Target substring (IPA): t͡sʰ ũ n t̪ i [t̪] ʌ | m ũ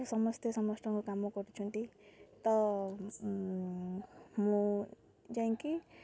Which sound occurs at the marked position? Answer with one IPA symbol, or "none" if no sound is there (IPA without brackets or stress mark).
t̪